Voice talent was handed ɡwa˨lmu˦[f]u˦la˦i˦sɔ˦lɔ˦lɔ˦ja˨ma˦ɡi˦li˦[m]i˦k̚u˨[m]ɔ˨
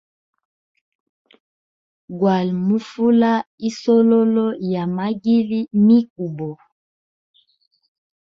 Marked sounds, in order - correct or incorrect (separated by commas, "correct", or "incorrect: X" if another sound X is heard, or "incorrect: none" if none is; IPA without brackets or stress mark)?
correct, correct, incorrect: b